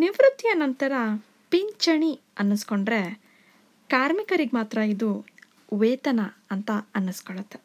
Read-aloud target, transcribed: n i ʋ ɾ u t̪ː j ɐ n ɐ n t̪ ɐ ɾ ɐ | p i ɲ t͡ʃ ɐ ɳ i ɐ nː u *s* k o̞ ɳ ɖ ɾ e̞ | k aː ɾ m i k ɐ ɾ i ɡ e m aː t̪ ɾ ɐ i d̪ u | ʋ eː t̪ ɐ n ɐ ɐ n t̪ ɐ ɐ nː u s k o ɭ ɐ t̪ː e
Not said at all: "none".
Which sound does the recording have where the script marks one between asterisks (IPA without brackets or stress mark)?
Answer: s